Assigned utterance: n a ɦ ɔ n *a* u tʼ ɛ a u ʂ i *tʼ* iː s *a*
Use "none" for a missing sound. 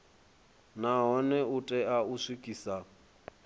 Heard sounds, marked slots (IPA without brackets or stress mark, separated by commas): ɛ, kʼ, a